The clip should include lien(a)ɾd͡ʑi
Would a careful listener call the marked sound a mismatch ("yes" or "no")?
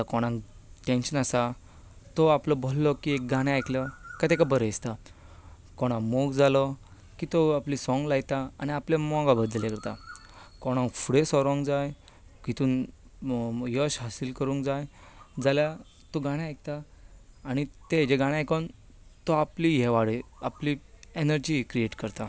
yes